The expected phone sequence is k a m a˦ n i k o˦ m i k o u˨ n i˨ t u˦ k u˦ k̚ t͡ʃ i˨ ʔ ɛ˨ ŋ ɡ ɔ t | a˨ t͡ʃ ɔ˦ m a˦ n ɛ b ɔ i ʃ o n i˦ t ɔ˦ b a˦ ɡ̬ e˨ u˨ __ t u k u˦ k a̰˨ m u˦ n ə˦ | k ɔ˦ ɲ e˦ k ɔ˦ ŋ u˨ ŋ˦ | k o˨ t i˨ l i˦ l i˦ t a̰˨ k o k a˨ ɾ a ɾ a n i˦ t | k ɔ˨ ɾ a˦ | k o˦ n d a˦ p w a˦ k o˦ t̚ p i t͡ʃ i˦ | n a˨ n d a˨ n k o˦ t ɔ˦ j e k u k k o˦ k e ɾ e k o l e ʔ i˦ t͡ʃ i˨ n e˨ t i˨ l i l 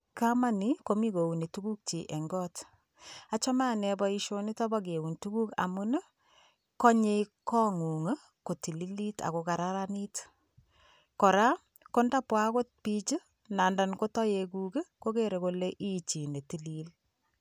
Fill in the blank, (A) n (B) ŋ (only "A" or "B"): A